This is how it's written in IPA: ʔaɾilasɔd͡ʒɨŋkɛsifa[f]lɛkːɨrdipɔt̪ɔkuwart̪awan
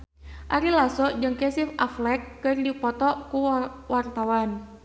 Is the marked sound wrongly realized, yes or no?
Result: no